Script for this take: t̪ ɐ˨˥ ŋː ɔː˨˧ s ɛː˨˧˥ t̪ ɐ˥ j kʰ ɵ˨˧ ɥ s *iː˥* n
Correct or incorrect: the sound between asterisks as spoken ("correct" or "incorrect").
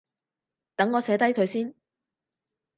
correct